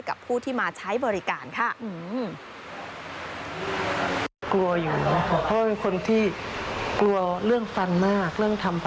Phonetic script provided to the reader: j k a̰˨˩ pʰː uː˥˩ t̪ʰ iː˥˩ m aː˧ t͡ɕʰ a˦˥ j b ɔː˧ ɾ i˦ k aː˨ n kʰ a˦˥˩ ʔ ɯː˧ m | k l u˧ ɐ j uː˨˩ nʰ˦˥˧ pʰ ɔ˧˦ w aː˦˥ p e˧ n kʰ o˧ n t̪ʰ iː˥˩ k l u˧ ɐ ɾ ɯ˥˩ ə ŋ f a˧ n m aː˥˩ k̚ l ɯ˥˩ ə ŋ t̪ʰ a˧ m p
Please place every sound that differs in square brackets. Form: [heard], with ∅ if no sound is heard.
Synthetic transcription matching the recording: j k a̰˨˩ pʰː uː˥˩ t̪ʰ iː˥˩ m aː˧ t͡ɕʰ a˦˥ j b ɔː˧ ɾ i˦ k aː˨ n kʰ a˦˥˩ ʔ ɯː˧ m | k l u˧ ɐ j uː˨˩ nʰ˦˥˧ pʰ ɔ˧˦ w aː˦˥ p e˧ n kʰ o˧ n t̪ʰ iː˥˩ k l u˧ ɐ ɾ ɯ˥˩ ə ŋ f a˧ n m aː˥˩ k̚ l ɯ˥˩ ə ŋ t̪ʰ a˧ m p